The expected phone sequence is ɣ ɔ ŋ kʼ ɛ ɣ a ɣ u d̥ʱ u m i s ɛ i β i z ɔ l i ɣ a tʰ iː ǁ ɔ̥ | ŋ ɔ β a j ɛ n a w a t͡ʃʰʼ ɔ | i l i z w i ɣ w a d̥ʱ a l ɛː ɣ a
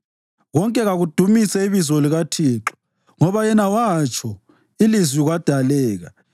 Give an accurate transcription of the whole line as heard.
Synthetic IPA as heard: ɣ ɔ ŋ kʼ ɛ ɣ a ɣ u d̥ʱ u m i s ɛ i β i z ɔ l i ɣ a tʰ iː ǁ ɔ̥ | ŋ ɔ β a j ɛ n a w a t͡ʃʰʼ ɔ | i l i z w i ɣ w a d̥ʱ a l ɛː ɣ a